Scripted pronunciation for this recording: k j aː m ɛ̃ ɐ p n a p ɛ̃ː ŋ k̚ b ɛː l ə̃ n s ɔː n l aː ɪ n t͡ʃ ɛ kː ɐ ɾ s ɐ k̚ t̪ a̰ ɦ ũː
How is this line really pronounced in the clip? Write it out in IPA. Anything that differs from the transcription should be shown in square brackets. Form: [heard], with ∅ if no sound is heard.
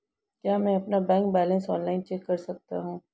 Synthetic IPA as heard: k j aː m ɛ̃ ɐ p n a [b] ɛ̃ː ŋ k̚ b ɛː l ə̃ n s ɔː n l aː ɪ n t͡ʃ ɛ kː ɐ ɾ s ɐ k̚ t̪ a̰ ɦ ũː